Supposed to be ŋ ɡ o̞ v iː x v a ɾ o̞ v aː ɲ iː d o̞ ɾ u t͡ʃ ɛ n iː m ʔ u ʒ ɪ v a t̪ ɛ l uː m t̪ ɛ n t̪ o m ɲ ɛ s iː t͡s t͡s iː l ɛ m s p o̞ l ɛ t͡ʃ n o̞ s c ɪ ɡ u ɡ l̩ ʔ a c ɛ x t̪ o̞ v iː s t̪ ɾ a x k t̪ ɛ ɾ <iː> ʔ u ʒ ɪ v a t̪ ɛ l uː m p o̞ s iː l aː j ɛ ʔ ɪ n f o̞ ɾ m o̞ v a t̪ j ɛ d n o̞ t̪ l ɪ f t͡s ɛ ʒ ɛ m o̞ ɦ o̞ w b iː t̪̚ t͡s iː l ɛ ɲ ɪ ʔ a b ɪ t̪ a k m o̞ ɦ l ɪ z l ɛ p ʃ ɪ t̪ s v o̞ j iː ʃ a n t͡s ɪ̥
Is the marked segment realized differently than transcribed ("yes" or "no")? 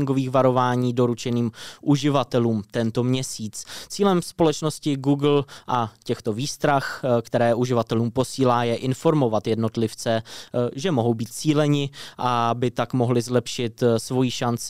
yes